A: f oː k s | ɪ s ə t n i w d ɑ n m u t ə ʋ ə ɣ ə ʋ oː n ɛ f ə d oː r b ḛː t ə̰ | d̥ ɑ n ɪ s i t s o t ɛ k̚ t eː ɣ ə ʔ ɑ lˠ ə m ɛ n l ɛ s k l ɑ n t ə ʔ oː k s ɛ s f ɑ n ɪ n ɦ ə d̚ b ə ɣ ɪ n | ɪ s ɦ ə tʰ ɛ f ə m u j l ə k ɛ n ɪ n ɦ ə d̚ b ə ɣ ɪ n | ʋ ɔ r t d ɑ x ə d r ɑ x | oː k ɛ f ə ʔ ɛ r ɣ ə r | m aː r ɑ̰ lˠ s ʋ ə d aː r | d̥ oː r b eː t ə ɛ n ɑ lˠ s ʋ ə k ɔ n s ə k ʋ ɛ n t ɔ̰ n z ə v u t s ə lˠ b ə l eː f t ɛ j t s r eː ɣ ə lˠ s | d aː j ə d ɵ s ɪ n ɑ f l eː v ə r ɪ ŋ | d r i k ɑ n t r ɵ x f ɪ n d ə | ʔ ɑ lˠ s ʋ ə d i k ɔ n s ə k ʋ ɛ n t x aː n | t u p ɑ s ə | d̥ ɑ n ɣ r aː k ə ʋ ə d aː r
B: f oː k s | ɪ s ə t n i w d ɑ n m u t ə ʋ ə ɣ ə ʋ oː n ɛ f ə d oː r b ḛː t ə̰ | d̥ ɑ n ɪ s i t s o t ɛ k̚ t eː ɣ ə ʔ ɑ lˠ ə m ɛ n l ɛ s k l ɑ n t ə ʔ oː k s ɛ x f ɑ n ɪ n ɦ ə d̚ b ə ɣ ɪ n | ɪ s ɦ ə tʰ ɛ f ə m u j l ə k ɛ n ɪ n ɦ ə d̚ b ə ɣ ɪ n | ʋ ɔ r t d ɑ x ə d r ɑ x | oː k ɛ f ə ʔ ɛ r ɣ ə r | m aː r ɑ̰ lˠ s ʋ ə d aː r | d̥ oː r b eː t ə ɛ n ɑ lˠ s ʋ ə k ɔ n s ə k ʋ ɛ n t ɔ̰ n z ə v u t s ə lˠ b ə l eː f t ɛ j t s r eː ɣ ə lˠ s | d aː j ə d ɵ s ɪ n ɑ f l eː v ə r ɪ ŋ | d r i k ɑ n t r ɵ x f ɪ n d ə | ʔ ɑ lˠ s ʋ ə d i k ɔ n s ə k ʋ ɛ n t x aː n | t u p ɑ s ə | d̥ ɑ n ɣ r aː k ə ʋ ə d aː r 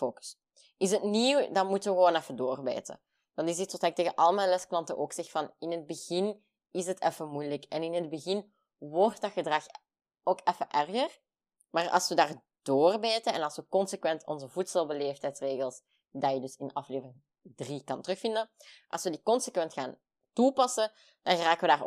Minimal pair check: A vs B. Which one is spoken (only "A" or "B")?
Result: B